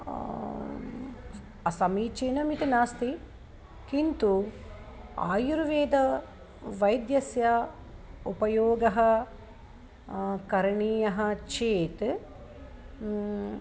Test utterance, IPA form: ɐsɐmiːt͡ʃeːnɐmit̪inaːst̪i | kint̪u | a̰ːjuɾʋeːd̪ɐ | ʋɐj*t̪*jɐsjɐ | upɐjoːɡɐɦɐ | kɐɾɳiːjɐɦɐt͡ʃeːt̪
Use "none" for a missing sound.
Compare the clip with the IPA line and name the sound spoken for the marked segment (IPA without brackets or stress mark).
d̪